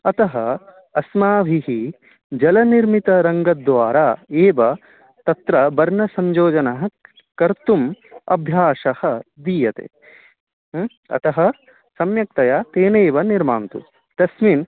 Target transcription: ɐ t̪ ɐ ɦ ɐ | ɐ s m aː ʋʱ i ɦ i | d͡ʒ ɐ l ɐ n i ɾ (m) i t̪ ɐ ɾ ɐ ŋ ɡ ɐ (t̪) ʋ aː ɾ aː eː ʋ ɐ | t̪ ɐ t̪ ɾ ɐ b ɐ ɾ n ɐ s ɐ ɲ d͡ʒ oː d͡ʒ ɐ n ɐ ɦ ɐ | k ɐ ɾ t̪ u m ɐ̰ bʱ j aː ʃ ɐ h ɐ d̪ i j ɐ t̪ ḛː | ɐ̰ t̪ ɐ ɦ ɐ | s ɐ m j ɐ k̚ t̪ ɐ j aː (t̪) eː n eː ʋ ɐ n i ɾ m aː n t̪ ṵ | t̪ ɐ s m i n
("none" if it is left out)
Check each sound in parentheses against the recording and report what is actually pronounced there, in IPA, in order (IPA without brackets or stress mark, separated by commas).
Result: m, d̪, t̪